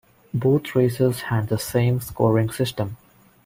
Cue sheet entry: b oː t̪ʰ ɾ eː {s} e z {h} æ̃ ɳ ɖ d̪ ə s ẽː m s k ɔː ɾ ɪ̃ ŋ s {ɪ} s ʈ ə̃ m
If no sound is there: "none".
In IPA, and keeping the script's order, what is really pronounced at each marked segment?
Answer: s, h, ɪ

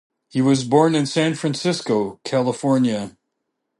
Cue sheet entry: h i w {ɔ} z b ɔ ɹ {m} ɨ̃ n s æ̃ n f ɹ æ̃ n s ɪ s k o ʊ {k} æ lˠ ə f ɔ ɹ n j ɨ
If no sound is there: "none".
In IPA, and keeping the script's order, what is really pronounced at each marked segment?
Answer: ʌ, n, kʰ

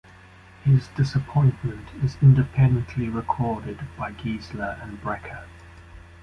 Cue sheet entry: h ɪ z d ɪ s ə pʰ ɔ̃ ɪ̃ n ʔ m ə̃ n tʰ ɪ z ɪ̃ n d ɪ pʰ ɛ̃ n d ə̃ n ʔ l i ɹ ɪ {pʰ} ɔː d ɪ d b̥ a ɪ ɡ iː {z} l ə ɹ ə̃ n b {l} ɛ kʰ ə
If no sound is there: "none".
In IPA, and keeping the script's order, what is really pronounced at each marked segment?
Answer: kʰ, z, ɹ

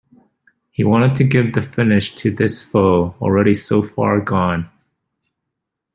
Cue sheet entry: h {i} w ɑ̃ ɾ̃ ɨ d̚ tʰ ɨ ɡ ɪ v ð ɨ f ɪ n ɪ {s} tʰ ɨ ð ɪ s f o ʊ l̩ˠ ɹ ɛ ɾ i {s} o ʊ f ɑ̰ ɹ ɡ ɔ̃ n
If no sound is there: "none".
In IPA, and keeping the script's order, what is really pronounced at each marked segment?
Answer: i, ʃ, s

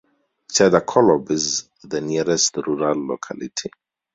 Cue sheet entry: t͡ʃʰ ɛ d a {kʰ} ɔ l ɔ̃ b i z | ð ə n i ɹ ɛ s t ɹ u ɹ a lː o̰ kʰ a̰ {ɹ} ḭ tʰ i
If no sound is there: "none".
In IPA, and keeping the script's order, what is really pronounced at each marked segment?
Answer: kʰ, l

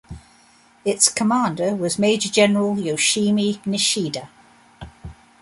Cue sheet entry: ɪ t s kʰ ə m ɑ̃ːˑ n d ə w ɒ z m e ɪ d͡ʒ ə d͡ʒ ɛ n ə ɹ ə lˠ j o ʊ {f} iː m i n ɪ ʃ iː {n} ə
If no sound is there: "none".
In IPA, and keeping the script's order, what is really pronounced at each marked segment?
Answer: ʃ, d

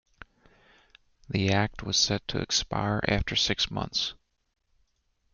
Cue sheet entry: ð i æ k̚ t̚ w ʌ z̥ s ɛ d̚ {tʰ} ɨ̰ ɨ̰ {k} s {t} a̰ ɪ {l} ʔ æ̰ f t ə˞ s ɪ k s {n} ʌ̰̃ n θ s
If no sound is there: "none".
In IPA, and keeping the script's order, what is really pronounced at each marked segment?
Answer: tʰ, k, p, ɹ, m

